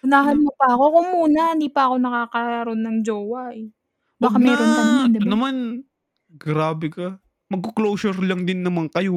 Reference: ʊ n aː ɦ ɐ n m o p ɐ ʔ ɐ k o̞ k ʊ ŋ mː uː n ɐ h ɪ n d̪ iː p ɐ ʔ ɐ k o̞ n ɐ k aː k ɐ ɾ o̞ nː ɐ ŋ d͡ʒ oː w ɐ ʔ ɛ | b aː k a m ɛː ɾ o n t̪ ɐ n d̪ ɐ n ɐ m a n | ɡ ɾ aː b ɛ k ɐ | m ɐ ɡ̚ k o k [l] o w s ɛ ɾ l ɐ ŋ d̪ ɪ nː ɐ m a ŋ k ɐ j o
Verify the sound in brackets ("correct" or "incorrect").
correct